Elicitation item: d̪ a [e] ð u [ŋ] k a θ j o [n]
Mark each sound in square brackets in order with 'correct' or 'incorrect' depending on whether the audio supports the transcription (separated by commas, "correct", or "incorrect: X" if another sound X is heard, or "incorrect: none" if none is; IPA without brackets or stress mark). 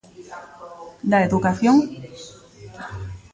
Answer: correct, incorrect: none, incorrect: ŋ